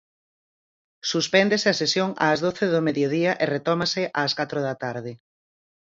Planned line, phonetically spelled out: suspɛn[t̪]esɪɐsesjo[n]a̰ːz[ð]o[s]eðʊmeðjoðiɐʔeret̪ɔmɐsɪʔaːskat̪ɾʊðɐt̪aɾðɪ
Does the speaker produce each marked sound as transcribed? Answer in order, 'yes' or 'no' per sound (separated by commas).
no, no, yes, no